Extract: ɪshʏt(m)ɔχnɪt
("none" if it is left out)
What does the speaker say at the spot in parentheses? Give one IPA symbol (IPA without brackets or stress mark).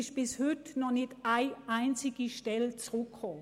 n